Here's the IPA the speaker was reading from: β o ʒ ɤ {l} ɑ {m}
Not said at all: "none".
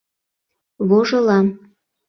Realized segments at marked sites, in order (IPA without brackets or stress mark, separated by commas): l, m